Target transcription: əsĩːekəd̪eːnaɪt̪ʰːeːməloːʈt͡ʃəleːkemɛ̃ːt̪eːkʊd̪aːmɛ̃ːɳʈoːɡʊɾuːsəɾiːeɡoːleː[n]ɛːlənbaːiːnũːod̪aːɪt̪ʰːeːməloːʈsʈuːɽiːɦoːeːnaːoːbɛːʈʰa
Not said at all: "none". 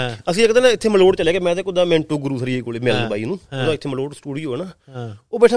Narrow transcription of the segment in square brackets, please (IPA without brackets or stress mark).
m